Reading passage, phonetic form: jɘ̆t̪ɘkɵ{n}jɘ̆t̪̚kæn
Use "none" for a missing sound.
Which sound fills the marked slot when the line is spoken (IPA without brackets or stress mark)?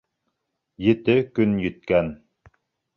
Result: n